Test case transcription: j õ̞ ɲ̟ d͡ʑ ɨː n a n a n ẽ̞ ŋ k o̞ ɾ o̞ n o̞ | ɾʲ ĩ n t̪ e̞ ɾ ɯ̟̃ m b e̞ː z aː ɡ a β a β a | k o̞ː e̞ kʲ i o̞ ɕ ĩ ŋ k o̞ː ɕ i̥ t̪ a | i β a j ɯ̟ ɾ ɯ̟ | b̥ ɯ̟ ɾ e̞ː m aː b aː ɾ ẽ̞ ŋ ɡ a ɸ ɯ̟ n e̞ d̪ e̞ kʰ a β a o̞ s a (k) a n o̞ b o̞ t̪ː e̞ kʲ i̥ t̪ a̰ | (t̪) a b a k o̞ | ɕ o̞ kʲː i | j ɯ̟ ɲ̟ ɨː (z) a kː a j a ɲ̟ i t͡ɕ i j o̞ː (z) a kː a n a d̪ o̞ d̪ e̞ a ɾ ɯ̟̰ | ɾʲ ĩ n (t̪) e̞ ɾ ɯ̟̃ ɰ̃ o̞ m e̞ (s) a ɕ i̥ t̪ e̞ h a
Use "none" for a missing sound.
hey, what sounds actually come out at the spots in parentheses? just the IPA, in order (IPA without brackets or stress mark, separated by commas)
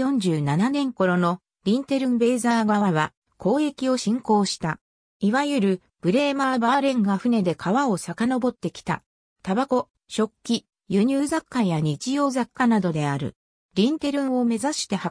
k, t̪, z, z, t̪, z